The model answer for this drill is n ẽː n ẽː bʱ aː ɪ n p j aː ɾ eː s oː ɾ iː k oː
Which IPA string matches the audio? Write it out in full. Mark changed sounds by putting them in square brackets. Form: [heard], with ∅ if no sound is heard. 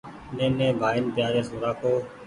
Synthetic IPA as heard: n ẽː n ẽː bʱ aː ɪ n p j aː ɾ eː s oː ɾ [aː] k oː